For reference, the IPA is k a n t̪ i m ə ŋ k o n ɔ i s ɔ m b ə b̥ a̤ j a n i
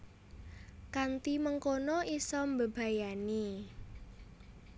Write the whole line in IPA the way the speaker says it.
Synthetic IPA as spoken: k a n t̪ i m ə ŋ k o n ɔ i s ɔ m b ə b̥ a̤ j a n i